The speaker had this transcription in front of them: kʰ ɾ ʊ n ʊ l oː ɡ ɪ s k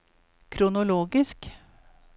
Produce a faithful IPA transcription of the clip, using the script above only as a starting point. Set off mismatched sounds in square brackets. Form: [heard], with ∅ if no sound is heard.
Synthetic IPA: kʰ ɾ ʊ n ʊ l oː ɡ ɪ s k